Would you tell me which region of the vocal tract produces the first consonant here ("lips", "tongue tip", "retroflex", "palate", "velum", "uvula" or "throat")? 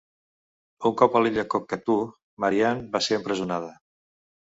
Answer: velum